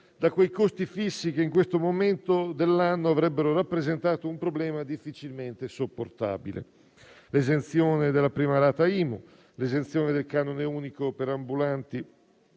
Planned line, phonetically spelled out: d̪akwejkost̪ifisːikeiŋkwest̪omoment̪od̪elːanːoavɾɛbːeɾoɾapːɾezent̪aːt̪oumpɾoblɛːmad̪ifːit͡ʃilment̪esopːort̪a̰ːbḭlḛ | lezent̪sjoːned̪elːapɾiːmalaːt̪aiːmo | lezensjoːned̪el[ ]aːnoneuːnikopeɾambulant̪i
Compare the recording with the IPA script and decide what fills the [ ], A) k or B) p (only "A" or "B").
A